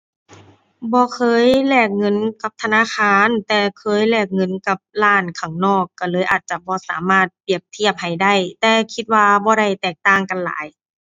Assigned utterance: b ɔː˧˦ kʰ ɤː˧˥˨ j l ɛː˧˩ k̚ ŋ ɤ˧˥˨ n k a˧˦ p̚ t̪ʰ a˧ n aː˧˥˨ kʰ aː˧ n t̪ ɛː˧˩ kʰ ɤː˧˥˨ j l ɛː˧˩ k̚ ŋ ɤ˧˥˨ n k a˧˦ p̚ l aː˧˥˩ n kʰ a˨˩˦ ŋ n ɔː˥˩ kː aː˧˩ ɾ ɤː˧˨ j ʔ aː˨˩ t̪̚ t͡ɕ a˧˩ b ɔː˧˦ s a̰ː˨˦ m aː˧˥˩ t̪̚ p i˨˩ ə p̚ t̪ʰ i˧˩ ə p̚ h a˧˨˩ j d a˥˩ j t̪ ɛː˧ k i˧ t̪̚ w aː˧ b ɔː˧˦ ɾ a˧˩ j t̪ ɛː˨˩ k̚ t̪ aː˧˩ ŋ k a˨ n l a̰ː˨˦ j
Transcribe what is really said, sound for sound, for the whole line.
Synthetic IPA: b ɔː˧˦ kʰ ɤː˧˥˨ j l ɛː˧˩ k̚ ŋ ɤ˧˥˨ n k a˧˦ p̚ t̪ʰ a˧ n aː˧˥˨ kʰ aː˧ n t̪ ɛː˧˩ kʰ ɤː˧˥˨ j l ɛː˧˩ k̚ ŋ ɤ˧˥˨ n k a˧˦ p̚ l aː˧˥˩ n kʰ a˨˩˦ ŋ n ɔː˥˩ kː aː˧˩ l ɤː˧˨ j ʔ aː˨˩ t̪̚ t͡ɕ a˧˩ b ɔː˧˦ s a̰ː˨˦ m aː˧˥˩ t̪̚ p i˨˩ ə p̚ t̪ʰ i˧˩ ə p̚ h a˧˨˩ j d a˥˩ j t̪ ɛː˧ kʰ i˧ t̪̚ w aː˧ b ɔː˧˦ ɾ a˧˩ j t̪ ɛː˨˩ k̚ t̪ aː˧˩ ŋ k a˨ n l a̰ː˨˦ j